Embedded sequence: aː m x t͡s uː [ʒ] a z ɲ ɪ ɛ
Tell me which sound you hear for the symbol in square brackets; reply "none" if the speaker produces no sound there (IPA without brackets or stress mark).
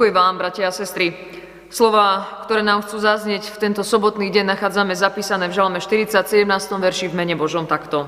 z